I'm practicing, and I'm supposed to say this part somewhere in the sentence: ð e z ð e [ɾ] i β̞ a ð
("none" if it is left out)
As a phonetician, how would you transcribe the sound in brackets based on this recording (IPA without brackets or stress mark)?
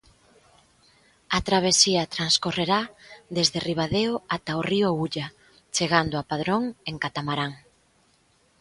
r